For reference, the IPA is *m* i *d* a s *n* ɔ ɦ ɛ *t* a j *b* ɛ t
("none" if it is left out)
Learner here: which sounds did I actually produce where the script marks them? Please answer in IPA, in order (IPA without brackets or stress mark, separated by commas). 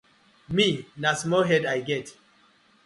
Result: m, n, m, d, ɡ